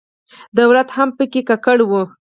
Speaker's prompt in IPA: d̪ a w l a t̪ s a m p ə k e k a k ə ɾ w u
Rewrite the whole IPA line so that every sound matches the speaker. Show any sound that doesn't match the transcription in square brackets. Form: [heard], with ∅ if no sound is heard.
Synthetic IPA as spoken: d̪ a w l a t̪ [h] a m p ə k e k a k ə [ɽ] w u